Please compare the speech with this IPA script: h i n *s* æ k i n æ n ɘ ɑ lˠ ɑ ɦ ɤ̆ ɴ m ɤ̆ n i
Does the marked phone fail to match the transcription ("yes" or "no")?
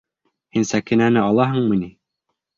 no